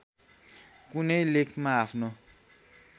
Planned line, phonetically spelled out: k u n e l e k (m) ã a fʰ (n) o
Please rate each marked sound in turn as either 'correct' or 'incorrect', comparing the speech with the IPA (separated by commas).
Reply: correct, correct